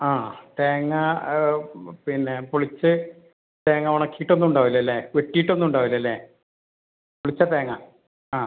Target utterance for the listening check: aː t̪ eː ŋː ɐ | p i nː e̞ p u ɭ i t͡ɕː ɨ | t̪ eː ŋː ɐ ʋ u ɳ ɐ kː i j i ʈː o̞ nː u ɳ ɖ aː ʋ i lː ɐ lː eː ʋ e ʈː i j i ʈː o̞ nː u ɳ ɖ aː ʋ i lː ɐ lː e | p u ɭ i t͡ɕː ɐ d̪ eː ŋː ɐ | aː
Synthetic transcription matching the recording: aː t̪ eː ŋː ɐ | p i nː e̞ p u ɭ i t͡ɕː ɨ | t̪ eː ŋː ɐ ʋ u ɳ ɐ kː i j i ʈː o̞ nː u ɳ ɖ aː ʋ i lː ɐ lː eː ʋ e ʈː i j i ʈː o̞ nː u ɳ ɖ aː ʋ i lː ɐ lː e | p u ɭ i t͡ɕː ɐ t̪ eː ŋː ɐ | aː